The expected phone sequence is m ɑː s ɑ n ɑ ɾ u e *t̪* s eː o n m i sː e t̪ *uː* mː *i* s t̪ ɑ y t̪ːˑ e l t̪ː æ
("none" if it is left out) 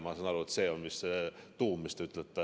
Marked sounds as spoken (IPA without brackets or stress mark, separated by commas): t̪, uː, i